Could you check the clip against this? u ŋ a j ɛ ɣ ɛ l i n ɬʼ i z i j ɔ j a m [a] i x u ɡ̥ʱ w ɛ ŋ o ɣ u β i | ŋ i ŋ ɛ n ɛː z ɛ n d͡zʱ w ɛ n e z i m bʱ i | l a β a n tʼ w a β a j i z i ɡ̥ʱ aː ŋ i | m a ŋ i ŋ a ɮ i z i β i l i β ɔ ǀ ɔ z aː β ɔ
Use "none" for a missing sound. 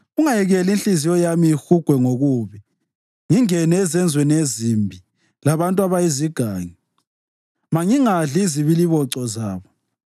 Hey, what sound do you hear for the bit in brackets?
i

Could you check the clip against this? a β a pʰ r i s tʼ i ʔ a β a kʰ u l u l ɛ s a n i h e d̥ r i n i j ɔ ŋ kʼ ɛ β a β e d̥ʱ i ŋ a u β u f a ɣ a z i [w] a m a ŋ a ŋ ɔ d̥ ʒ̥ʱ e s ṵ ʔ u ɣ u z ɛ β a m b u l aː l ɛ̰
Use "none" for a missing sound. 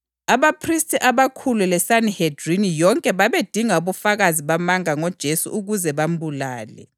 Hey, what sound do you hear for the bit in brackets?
β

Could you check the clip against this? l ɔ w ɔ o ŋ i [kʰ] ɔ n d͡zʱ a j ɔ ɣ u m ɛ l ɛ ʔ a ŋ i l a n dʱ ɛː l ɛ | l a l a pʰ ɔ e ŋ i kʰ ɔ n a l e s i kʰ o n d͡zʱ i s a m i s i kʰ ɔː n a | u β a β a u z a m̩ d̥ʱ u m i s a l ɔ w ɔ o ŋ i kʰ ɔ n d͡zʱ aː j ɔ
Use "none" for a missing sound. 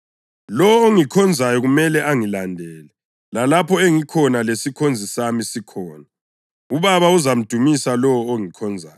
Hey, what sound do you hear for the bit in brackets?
kʰ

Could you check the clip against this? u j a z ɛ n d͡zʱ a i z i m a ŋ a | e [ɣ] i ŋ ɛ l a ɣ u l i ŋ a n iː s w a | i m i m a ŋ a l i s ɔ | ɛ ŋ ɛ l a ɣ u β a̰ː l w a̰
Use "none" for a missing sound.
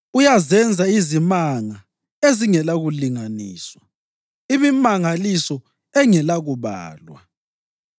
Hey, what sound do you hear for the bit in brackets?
z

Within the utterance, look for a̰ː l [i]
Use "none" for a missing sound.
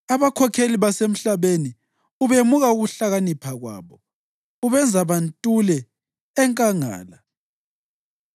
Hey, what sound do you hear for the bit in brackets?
a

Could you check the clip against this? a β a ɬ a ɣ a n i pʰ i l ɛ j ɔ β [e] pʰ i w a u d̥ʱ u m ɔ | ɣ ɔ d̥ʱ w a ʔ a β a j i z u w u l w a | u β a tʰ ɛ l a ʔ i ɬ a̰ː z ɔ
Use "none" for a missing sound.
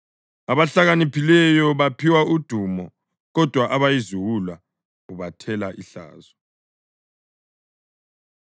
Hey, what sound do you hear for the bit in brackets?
a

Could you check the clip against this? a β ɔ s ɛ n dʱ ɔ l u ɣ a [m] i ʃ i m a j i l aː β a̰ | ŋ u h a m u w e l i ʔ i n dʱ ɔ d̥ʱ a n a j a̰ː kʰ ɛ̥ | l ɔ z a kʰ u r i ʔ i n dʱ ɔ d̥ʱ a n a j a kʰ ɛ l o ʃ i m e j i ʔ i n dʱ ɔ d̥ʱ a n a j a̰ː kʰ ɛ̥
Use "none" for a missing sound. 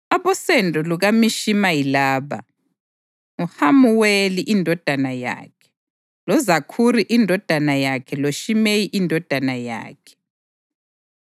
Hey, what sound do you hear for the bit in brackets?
m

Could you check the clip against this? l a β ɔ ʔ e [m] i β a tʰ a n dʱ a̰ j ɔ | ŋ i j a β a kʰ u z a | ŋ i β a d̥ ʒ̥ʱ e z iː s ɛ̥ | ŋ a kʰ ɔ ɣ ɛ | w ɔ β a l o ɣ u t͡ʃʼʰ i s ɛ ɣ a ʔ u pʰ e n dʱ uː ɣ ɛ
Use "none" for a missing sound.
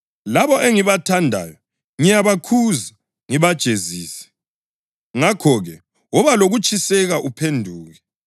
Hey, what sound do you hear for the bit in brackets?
ŋ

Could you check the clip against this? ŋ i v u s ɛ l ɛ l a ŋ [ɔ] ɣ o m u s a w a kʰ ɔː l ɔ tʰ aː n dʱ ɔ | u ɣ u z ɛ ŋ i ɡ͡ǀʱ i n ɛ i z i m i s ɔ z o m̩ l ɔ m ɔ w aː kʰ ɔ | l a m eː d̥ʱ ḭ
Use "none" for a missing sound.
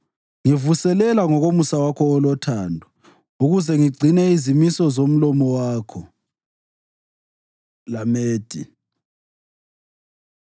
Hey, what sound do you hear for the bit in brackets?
ɔ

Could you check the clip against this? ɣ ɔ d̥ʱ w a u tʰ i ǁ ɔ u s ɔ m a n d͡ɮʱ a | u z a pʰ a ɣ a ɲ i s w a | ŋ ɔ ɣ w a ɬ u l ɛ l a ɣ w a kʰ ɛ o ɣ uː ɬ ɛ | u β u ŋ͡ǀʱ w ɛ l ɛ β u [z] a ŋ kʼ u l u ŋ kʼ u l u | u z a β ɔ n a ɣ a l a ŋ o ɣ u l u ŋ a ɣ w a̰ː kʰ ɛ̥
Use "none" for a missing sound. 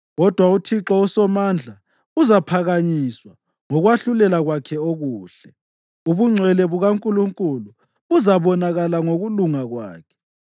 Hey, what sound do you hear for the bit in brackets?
ɣ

